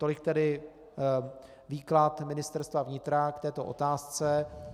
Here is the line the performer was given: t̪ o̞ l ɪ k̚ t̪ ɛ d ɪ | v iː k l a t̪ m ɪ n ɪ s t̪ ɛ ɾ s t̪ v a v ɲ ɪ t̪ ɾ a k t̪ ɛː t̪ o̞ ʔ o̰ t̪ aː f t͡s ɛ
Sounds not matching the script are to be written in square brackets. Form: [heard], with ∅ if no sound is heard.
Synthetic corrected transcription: t̪ o̞ l ɪ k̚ t̪ ɛ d ɪ | v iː k l a t̪ m ɪ n ɪ s t̪ ɛ ɾ s t̪ v a v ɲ ɪ t̪ ɾ a k t̪ ɛː t̪ o̞ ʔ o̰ t̪ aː [s] t͡s ɛ